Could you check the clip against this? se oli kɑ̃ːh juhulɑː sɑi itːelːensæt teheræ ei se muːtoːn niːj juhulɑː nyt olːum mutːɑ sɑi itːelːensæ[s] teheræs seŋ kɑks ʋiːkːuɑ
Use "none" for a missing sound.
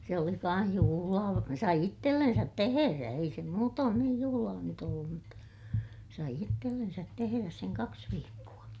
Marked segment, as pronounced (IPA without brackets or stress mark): t